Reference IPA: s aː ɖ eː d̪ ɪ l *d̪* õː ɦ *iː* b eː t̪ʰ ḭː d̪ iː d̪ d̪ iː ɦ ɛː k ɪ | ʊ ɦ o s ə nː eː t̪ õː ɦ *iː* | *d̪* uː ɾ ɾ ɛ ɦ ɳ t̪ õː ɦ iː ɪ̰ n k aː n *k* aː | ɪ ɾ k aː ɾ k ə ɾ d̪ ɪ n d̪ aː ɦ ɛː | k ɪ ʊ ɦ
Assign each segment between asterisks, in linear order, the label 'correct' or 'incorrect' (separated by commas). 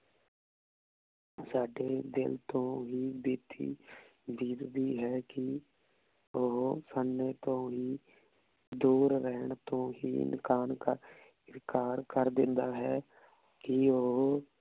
incorrect, correct, correct, correct, correct